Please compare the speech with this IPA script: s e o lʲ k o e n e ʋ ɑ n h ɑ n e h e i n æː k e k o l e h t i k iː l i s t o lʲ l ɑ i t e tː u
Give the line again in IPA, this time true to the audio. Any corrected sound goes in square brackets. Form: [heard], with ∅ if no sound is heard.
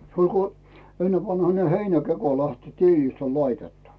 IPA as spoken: s e o lʲ k o e [nː] e ʋ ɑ n h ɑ n e h e i n [æ] k e k o l [æ] h t i [t] iː l i s t o lʲ l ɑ i t e tː u